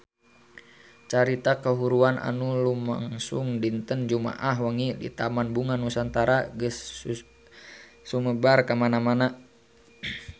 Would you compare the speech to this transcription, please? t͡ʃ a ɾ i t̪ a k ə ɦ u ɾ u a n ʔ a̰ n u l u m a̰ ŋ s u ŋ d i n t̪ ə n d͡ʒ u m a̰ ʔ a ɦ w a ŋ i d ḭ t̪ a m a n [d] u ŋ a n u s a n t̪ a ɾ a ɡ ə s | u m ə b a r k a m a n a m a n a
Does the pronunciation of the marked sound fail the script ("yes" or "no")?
yes